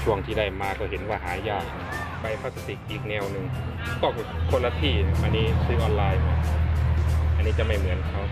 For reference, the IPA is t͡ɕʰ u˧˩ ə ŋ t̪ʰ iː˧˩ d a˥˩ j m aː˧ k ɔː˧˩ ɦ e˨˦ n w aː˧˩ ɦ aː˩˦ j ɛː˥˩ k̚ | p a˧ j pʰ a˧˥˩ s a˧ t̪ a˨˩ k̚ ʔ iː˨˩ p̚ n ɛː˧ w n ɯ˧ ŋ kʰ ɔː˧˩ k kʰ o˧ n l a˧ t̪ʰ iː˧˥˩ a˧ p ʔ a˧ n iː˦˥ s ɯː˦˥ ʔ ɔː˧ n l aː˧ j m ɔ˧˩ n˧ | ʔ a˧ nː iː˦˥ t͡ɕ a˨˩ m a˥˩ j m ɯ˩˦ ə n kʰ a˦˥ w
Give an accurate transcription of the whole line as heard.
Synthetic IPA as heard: t͡ɕʰ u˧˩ ə ŋ t̪ʰ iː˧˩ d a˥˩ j m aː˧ k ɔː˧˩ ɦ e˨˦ n w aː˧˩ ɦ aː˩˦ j aː˥˩ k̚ | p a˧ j pʰ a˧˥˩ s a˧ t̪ i˨˩ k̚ ʔ iː˨˩ k̚ n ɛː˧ w n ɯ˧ ŋ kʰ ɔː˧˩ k kʰ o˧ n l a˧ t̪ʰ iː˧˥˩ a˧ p ʔ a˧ n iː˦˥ s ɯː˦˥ ʔ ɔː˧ n l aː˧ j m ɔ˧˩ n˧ | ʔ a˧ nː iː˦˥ t͡ɕ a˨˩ m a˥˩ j m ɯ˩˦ ə n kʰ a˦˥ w